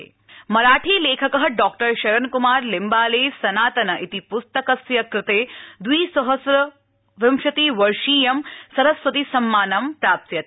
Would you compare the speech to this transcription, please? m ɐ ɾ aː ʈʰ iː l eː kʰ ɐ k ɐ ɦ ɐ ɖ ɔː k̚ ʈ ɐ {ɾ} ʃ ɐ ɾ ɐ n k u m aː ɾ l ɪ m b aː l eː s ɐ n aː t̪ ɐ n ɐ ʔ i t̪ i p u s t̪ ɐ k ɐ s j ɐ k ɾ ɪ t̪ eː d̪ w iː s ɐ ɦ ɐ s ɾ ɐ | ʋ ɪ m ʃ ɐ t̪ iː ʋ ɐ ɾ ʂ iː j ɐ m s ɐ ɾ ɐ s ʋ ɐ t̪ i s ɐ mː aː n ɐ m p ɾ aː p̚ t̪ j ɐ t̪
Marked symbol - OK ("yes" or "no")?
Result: yes